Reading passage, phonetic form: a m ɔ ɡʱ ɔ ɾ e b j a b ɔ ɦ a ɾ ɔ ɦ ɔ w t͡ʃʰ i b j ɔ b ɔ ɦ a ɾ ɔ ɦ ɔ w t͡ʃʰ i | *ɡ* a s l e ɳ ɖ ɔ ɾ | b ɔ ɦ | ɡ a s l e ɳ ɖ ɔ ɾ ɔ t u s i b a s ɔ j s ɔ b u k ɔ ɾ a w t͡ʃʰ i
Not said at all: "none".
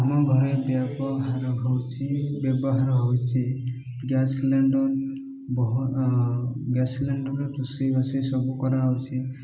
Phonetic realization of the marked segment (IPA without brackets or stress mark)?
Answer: ɡ